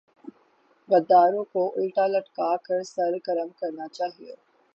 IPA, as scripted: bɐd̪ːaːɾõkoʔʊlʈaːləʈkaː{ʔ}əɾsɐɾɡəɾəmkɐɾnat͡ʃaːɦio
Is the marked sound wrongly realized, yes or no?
yes